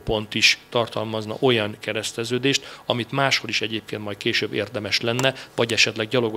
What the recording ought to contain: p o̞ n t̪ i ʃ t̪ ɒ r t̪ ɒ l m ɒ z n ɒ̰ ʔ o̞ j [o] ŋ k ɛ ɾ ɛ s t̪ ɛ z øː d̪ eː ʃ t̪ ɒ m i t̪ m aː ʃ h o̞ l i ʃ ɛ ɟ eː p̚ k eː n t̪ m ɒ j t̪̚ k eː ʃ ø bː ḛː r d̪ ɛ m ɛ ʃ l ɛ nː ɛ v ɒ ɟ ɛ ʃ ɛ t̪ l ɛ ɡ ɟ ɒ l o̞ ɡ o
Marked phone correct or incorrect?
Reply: incorrect: ɒ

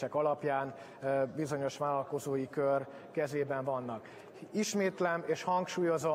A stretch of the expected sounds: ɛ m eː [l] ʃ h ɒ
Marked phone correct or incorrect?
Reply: incorrect: none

